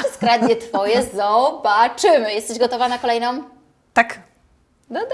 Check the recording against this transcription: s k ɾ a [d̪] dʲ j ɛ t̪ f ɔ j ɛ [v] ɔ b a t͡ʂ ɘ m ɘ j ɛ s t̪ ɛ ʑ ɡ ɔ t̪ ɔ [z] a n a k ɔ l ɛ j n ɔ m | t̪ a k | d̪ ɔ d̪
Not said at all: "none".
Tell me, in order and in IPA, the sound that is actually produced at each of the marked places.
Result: d̪, z, v

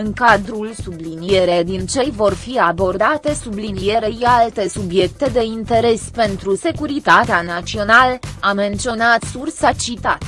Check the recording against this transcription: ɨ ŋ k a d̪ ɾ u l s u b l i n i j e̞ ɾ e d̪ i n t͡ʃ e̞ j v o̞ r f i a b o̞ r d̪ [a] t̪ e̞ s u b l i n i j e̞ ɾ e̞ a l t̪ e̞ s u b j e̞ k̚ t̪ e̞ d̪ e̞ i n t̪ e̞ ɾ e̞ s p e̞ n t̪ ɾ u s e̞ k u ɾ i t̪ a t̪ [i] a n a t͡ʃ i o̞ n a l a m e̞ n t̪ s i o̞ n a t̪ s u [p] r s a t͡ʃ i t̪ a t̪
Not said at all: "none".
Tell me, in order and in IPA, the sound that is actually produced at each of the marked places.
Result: a, e, none

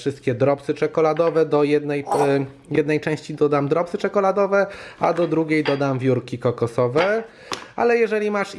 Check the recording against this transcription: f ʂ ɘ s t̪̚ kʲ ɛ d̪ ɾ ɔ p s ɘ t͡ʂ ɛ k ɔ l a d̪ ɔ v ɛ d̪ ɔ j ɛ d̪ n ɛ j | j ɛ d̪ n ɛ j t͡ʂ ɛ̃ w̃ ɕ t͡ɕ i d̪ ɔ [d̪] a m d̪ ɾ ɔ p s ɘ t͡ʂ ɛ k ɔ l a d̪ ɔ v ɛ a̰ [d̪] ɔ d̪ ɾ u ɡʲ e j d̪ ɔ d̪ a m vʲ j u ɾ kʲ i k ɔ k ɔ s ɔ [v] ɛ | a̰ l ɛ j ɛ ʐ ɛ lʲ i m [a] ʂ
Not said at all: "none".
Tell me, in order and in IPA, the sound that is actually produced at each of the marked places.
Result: d̪, d̪, v, a

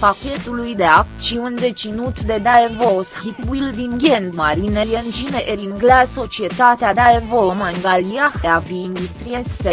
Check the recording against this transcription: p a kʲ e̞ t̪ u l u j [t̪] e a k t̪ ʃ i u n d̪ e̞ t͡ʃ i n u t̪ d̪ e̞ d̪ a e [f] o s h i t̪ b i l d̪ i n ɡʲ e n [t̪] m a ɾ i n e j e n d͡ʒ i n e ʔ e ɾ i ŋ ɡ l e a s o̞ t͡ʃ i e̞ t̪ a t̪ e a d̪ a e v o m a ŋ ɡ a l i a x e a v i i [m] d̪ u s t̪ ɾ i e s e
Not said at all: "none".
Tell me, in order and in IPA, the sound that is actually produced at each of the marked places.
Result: d̪, v, d̪, n

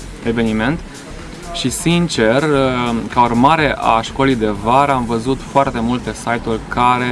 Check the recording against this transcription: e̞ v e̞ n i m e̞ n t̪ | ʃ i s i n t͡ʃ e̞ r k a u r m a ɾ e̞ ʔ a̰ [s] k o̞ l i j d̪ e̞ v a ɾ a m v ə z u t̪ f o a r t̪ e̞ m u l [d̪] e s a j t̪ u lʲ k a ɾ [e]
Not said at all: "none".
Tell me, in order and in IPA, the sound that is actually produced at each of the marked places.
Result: ʃ, t̪, e

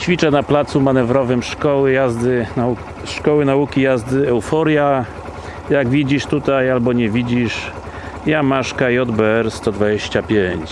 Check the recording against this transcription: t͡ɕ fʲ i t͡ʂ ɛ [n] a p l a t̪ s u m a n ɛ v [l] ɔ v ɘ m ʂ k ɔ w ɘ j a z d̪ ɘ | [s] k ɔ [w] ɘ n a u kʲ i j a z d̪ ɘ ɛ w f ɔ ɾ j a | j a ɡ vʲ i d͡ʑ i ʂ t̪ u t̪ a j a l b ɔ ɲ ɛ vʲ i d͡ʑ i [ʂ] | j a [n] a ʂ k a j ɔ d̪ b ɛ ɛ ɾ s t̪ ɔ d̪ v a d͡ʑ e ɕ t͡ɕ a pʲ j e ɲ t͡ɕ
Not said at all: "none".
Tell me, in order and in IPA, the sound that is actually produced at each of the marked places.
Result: n, ɾ, ʂ, w, ʂ, m

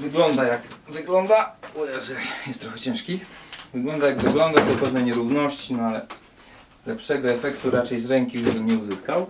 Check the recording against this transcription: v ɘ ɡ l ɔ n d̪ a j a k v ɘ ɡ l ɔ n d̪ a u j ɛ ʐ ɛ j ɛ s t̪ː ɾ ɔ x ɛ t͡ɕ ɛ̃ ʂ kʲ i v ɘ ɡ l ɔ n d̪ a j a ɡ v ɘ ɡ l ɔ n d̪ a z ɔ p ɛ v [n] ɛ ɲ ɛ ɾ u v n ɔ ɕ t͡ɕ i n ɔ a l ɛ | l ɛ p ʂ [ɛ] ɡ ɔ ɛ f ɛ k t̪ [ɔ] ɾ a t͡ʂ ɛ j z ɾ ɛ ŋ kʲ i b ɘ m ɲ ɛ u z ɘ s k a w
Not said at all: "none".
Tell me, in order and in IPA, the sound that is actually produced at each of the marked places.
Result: n, ɛ, u

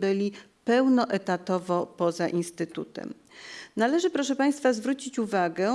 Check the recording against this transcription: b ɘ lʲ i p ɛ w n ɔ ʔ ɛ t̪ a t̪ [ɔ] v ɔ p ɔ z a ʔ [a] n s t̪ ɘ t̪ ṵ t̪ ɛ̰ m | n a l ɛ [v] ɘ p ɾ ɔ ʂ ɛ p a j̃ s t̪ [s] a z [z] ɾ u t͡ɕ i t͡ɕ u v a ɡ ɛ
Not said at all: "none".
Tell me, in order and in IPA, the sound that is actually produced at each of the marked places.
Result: ɔ, i, ʐ, f, v

